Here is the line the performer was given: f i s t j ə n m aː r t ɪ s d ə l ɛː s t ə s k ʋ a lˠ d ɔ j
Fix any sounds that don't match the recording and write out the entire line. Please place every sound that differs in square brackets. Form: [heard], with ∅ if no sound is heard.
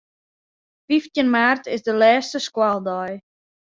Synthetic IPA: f i [f] t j ə n m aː r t ɪ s d ə l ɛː s t ə s k [w] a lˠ d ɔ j